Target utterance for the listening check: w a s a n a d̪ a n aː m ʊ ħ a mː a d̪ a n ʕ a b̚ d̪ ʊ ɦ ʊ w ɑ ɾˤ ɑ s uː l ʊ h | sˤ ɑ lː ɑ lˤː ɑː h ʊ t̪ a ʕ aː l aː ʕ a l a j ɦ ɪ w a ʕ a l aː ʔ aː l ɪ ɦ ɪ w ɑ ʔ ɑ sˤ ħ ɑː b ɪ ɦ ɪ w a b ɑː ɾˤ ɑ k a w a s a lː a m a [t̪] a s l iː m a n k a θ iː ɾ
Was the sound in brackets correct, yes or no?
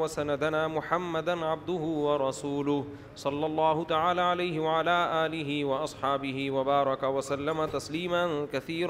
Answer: yes